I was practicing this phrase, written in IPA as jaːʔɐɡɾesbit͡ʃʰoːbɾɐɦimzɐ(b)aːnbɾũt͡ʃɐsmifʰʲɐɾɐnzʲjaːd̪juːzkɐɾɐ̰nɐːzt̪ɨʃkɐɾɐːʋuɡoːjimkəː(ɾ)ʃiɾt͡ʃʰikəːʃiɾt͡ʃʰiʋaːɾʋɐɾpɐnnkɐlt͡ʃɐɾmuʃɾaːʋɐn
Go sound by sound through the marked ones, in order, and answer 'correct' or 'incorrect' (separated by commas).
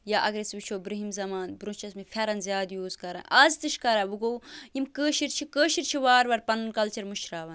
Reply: incorrect, incorrect